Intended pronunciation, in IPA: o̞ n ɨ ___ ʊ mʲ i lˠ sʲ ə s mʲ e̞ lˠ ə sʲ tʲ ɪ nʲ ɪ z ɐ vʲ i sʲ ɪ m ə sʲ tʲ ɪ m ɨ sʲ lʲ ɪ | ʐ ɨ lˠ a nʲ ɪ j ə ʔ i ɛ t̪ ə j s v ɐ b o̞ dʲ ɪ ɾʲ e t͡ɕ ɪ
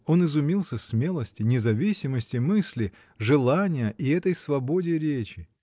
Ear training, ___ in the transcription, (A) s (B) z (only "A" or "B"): B